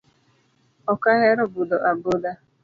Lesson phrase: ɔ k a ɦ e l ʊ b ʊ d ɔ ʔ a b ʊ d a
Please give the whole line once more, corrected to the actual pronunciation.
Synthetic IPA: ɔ k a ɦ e ɾ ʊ b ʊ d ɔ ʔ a b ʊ d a